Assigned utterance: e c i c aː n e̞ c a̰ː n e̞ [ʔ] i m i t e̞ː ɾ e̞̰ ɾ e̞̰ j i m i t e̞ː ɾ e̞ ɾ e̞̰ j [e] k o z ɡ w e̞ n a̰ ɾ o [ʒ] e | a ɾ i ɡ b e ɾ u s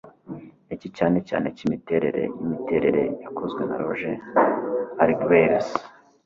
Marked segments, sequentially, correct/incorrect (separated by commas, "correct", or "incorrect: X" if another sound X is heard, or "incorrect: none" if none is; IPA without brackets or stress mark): incorrect: c, incorrect: a, correct